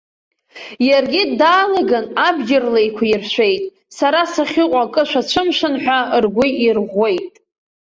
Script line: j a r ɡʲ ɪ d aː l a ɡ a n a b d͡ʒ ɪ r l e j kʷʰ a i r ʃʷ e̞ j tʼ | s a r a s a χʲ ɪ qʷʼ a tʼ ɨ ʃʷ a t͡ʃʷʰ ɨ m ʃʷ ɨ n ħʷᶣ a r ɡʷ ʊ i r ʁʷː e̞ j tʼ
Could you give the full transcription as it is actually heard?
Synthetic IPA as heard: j a r ɡʲ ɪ d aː l a ɡ a n a b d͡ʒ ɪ r l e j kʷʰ a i r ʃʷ e̞ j tʼ | s a ɾ a s a χʲ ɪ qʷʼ a kʼ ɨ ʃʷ a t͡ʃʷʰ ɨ m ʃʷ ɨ n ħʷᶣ a r ɡʷ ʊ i r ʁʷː e̞ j tʼ